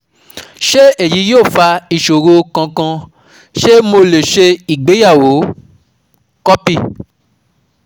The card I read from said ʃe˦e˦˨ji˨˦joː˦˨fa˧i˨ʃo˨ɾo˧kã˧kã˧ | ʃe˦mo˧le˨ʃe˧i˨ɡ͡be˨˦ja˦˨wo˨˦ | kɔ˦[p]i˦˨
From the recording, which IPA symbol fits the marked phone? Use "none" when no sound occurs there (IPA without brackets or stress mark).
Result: p